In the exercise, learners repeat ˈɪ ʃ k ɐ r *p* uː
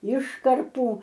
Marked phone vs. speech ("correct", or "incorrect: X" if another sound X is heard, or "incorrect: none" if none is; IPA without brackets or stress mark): correct